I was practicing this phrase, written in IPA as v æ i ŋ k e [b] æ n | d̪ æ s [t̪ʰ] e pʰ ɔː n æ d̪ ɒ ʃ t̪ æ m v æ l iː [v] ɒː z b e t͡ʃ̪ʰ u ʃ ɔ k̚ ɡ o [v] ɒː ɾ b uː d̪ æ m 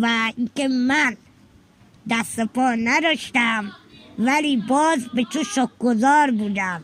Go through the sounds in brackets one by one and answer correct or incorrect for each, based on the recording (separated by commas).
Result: incorrect, incorrect, incorrect, incorrect